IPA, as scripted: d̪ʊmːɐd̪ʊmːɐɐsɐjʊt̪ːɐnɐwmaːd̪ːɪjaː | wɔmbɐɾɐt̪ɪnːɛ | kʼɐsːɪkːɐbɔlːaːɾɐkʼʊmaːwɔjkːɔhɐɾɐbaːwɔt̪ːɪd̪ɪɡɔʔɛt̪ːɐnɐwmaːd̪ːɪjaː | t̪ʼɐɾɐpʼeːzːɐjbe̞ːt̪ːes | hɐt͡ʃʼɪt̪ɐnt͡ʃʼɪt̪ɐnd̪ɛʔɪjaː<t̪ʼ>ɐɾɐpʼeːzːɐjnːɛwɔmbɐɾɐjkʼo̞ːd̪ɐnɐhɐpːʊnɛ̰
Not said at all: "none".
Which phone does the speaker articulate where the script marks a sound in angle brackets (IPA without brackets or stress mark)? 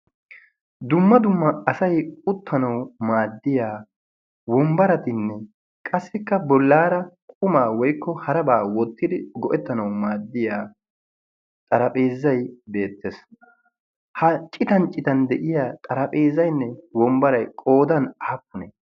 t̪ʼ